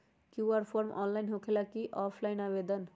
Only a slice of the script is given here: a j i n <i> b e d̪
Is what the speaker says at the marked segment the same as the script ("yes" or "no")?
no